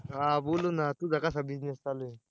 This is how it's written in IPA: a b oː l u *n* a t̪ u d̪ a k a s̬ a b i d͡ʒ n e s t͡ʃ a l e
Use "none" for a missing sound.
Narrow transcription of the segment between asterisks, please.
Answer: n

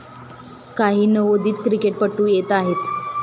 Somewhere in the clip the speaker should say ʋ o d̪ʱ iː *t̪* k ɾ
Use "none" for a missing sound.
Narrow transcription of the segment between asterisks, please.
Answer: t̪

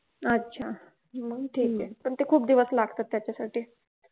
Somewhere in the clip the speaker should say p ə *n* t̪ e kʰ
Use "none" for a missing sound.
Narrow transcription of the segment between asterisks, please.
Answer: ɳ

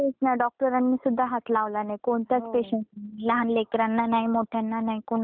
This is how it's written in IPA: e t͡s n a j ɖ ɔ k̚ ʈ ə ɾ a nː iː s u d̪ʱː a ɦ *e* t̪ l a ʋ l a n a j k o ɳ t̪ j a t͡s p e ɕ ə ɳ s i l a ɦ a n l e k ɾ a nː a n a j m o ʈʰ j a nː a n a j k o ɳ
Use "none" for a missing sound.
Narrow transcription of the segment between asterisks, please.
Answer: a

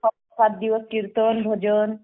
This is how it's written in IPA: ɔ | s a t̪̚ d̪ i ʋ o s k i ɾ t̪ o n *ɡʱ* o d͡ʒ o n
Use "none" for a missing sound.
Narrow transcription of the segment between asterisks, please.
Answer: bʱ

